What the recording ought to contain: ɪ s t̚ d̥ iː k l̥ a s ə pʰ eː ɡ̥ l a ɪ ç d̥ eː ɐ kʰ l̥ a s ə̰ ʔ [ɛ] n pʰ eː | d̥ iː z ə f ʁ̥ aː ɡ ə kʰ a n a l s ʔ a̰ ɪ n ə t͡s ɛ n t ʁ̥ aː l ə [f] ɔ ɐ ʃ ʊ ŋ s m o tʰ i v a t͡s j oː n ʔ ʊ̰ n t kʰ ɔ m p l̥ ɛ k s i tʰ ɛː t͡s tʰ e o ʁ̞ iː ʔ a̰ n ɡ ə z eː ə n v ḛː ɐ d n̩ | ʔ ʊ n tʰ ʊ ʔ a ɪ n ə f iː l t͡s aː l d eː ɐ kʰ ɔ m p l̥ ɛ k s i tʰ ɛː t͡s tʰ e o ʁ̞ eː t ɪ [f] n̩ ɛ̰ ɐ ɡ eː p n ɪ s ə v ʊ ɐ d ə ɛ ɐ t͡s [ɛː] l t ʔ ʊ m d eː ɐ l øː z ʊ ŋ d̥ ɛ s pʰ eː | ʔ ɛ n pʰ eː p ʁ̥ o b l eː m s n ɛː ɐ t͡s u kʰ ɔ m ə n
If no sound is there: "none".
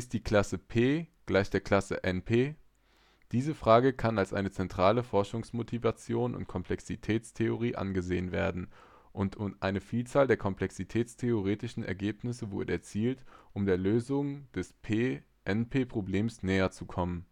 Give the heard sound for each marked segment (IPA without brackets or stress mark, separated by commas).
ɛ, f, ʃ, iː